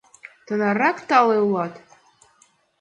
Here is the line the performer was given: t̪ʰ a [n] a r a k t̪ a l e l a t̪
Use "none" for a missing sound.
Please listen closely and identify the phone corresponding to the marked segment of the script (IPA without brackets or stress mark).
n